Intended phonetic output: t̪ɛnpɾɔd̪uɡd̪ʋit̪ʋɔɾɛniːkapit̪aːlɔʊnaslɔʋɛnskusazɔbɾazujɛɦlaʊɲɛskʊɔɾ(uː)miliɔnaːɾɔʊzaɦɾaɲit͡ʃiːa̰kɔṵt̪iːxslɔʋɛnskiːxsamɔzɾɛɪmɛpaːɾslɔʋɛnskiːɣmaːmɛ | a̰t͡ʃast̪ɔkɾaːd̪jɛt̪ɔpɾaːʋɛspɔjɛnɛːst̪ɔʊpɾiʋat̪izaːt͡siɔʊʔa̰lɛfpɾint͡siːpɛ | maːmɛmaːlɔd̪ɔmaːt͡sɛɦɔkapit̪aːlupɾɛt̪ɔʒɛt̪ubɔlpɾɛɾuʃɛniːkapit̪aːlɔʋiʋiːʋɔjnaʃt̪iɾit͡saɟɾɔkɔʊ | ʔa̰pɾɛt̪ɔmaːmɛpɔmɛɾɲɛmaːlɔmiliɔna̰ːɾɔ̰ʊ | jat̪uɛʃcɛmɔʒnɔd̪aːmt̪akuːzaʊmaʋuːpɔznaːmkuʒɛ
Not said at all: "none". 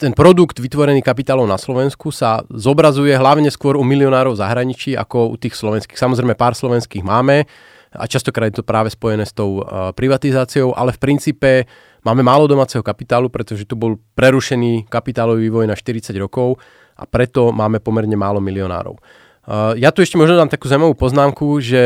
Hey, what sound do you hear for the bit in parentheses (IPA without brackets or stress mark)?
u